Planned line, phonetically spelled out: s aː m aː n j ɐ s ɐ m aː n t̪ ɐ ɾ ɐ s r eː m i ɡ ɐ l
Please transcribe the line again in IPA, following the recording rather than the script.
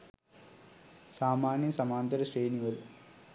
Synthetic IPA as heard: s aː m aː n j ɐ s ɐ m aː n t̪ ɐ ɾ ɐ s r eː n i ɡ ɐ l